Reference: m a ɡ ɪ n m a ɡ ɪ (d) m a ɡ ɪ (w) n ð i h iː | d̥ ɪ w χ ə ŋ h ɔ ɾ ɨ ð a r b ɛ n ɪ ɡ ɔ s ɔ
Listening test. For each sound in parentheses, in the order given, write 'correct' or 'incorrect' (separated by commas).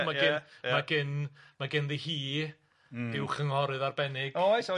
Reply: incorrect, incorrect